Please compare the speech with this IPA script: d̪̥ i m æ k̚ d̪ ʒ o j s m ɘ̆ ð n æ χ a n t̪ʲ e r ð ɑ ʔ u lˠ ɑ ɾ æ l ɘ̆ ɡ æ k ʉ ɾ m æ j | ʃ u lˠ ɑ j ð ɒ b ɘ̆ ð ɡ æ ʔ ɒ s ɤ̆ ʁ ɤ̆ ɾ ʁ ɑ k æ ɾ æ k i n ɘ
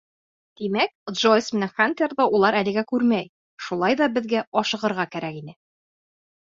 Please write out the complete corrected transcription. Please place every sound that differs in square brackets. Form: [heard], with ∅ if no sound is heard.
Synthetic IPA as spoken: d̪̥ i m æ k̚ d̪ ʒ o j s m ɘ̆ [∅] n æ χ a n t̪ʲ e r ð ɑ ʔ u lˠ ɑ ɾ æ l ɘ̆ ɡ æ k ʉ ɾ m æ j | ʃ u lˠ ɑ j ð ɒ b ɘ̆ ð ɡ æ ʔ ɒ [ʃ] ɤ̆ ʁ ɤ̆ ɾ ʁ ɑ k æ ɾ æ k i n ɘ